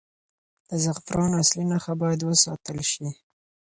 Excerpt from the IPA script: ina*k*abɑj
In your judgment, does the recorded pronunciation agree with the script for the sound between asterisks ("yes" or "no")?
no